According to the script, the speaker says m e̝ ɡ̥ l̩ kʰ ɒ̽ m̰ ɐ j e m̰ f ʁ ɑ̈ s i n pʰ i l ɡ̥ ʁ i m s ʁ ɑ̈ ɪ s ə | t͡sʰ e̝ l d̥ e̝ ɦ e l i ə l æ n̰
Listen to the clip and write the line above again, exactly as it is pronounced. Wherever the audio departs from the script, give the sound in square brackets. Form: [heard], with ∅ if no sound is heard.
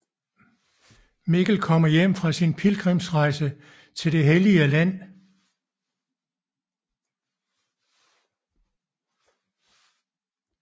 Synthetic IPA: m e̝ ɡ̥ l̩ kʰ ɒ̽ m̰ ɐ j e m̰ f ʁ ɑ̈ s i n pʰ i l ɡ̥ ʁ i m s ʁ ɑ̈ ɪ s ə | t͡sʰ e̝ l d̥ e̝ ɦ e l i ə l æ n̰